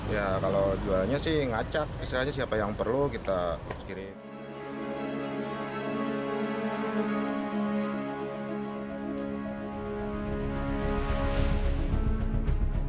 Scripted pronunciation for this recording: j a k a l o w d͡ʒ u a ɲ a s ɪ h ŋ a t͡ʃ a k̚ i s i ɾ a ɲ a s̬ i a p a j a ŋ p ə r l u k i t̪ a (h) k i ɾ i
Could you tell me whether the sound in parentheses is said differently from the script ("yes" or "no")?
yes